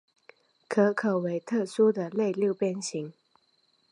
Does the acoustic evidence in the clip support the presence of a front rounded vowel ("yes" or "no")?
no